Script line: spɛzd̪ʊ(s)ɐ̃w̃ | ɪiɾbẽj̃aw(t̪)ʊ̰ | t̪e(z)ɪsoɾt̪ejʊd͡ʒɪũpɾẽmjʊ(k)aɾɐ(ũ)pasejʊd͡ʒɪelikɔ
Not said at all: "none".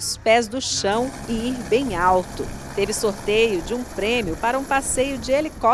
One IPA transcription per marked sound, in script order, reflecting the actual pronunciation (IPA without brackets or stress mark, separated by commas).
ʃ, t̪, v, p, ũ